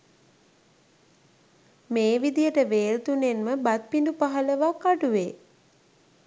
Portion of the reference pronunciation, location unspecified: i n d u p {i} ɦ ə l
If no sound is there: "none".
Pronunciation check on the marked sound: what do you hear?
a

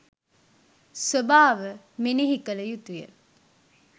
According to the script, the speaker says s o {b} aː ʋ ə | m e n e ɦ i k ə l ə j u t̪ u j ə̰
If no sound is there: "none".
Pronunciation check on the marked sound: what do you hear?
b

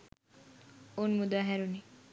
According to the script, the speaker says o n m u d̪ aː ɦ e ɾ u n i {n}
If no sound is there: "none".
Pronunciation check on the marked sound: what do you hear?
none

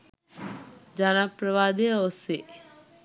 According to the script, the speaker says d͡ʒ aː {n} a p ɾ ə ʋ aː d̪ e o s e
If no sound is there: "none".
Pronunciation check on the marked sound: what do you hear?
n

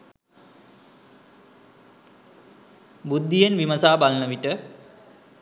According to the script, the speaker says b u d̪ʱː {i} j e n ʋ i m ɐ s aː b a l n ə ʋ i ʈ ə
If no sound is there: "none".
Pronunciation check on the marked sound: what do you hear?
i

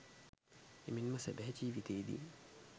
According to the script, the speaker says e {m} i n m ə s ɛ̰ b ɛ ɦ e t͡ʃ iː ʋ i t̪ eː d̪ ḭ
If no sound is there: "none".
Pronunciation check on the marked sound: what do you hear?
m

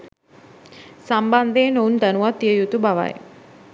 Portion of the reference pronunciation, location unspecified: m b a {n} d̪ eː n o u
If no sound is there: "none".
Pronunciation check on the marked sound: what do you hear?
n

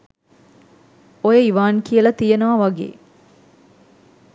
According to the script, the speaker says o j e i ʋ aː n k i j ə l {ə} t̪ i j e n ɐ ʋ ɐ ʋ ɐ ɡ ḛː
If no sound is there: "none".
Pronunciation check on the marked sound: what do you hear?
ɐ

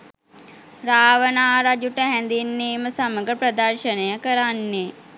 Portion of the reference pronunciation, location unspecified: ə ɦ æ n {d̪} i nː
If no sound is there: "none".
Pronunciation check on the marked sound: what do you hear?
d̪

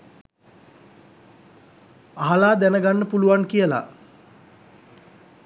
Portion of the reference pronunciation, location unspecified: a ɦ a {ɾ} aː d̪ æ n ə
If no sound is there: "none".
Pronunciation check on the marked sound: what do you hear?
l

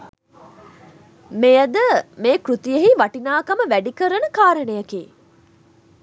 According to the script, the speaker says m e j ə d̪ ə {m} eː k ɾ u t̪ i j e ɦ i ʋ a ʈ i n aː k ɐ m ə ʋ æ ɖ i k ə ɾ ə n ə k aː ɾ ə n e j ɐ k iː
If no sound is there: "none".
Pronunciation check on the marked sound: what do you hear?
m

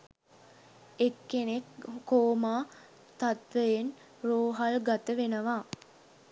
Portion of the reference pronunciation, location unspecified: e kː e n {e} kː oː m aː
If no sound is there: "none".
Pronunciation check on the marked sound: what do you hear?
e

